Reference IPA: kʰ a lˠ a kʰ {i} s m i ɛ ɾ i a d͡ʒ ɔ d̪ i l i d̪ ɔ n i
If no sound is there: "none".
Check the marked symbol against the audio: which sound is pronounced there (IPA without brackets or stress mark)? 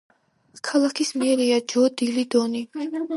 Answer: i